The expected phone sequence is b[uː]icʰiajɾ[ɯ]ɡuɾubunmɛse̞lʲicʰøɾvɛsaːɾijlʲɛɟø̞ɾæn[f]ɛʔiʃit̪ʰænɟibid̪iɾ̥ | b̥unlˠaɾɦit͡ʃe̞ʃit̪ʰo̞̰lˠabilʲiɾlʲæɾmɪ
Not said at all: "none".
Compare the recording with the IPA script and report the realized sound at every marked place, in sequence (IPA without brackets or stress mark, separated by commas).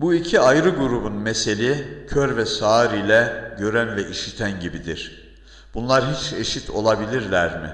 u, ɯ, v